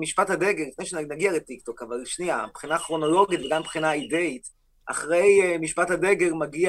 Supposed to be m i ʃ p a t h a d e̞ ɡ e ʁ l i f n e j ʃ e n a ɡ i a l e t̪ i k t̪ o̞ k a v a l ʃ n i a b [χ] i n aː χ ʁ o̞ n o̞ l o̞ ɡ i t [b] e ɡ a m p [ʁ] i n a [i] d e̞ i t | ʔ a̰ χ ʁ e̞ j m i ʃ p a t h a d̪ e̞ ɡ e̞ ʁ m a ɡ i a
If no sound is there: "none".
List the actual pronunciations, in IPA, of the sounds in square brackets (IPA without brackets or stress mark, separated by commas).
χ, v, χ, i